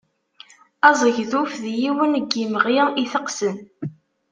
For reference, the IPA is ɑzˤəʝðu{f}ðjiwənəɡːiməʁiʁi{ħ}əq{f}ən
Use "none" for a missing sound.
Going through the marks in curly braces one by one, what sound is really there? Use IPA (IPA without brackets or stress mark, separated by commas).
f, θ, s